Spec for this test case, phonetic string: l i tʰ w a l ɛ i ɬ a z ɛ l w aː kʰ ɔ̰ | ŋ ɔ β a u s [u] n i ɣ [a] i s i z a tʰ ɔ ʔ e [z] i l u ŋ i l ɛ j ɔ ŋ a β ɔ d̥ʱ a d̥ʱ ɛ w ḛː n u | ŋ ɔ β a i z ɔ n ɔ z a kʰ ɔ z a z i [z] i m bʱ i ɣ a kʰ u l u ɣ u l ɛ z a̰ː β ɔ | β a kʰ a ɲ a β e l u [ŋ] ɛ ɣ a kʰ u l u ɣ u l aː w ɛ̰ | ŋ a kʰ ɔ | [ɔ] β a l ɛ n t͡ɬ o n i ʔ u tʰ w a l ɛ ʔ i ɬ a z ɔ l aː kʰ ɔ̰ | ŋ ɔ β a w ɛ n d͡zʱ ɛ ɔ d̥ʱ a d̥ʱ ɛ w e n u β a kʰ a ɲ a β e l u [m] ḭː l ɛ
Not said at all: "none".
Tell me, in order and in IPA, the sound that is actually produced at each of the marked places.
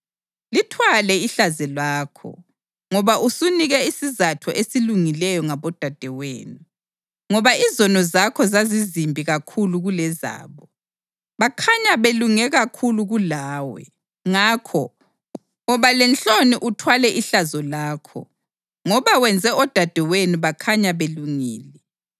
u, ɛ, s, z, ŋ, ɔ, ŋ

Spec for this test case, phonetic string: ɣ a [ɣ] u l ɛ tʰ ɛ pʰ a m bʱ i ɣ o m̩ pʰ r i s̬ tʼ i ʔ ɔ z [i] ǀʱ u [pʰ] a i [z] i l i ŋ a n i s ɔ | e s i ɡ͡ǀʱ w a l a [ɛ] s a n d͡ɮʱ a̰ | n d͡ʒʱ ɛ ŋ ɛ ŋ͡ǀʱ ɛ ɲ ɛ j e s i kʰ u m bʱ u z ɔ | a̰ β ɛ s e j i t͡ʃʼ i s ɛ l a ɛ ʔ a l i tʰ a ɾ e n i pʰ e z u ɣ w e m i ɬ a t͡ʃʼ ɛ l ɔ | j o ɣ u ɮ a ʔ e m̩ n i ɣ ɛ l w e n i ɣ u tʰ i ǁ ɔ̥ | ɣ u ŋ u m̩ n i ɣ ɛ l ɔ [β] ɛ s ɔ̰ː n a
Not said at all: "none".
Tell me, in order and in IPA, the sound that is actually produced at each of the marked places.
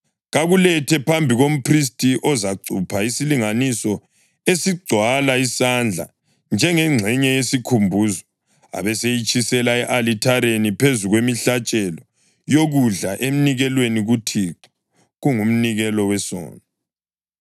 ɣ, a, pʰ, s, i, w

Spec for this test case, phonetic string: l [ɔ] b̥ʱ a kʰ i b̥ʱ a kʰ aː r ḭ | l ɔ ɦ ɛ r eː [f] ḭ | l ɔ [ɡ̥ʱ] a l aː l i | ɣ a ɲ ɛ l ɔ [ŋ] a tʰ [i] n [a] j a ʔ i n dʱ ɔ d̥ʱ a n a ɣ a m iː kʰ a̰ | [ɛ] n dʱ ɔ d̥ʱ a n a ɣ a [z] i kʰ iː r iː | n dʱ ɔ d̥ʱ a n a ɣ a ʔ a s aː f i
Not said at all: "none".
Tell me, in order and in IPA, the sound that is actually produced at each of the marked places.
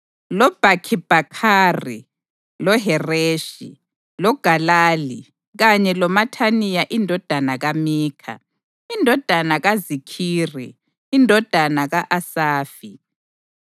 ɔ, ʃ, ɡ̥ʱ, m, a, i, i, z

